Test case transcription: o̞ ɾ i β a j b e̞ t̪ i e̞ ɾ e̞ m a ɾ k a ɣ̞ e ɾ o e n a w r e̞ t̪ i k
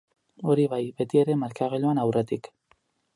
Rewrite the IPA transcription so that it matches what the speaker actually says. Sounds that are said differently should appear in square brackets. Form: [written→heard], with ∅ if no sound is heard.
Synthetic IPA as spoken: o̞ ɾ i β a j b e̞ t̪ i e̞ ɾ e̞ m a ɾ k a ɣ̞ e [ɾ→ʎ] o [e→a] n a w r e̞ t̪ i k